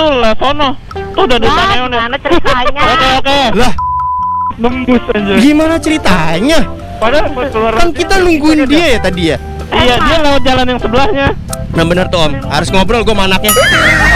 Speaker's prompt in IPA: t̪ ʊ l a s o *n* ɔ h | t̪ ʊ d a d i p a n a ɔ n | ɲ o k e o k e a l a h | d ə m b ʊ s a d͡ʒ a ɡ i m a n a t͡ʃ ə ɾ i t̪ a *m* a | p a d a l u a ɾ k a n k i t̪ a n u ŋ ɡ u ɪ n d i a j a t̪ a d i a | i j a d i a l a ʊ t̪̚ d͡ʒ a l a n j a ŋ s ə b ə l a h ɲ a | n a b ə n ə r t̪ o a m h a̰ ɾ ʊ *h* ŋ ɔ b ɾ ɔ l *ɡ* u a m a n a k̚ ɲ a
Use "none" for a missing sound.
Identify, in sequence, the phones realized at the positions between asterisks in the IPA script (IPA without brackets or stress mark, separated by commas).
n, ɲ, s, ɡ